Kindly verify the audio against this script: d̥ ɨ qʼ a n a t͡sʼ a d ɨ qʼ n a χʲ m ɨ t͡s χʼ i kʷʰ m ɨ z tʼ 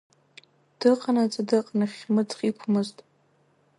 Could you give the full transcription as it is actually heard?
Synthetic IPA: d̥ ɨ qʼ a n a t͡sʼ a d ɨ qʼ n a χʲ m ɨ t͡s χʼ i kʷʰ m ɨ z tʼ